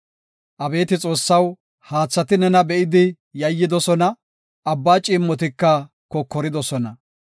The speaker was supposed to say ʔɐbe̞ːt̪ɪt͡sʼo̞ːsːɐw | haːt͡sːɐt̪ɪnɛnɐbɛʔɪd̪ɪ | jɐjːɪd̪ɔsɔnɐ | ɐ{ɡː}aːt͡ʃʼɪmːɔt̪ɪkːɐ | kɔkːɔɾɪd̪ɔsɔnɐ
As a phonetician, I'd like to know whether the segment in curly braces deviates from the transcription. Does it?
yes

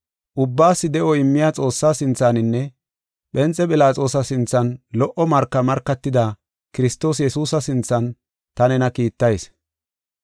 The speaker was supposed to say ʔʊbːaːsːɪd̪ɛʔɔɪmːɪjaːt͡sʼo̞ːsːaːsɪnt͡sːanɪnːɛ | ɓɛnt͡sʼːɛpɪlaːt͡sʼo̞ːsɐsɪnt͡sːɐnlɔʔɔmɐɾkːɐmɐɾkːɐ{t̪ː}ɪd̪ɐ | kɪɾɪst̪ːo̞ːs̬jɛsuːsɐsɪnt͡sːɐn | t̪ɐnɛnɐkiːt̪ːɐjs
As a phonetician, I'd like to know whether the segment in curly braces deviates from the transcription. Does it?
no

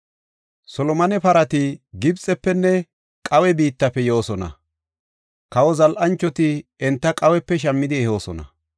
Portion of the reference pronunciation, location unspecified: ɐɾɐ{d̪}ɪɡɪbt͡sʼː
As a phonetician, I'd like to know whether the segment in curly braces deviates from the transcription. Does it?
yes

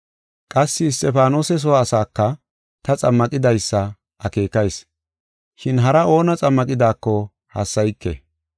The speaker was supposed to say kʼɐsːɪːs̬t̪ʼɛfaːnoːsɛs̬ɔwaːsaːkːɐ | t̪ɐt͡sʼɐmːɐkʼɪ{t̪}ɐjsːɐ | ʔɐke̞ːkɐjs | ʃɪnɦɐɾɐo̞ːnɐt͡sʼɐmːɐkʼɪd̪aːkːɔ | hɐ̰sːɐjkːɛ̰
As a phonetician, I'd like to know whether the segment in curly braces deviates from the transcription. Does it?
yes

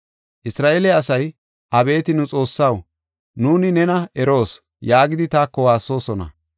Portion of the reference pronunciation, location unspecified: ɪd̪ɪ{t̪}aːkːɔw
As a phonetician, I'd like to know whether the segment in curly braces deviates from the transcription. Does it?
no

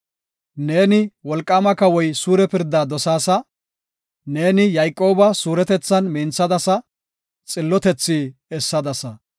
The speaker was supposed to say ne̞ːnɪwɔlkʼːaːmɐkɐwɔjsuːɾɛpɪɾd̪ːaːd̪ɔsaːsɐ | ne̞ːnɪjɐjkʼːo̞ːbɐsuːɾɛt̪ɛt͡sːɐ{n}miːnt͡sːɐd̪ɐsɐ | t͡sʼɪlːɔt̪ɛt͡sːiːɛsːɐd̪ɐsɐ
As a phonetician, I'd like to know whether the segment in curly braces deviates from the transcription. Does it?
no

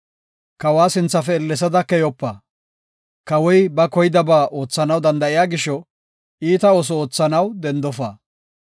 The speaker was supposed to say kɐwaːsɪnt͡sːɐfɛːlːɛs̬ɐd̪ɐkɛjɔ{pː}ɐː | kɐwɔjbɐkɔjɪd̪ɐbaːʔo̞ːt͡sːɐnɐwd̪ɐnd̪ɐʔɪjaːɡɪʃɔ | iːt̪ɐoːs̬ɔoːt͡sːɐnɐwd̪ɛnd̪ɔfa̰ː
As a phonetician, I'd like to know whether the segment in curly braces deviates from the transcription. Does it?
no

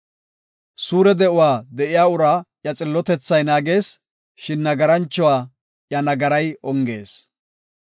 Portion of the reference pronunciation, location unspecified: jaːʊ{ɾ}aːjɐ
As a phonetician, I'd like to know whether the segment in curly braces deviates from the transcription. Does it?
no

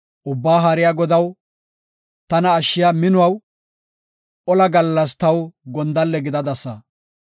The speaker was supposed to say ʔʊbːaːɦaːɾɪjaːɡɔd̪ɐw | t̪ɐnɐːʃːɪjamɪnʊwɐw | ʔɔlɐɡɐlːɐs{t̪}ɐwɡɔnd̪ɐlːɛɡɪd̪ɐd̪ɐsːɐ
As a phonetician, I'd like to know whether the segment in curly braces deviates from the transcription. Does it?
no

